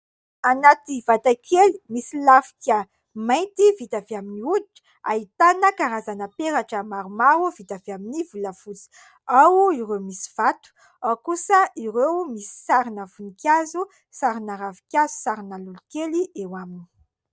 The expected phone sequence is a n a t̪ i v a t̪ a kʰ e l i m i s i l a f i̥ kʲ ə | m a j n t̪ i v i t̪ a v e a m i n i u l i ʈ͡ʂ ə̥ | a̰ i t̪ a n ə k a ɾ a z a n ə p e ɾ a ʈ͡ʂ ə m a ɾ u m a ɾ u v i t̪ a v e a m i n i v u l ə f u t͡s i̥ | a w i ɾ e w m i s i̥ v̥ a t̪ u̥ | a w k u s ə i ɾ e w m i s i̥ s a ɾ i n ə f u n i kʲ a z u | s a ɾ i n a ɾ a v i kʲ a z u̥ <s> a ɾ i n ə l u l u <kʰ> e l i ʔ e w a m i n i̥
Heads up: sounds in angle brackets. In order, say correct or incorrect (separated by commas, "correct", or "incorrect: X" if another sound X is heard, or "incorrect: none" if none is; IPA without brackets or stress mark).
correct, incorrect: k